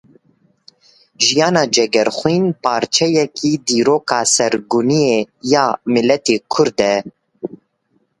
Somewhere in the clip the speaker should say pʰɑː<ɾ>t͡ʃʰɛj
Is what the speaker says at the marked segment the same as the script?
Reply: yes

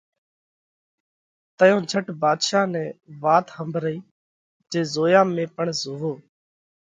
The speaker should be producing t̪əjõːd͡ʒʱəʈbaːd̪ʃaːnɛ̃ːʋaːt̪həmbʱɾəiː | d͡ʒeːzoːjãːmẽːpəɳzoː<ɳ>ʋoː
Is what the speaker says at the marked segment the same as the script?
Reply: no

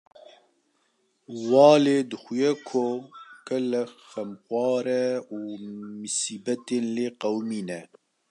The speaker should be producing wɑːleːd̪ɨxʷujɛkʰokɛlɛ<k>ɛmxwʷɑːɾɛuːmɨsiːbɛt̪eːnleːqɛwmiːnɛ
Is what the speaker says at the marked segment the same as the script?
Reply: no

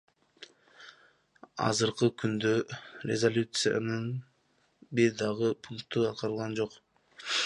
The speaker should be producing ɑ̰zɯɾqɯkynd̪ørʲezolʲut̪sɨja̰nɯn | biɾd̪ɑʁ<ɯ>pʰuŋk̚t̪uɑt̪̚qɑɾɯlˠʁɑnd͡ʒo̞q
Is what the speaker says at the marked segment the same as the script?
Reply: yes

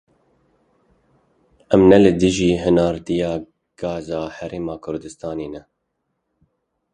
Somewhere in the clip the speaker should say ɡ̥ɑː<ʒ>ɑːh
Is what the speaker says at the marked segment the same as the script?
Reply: no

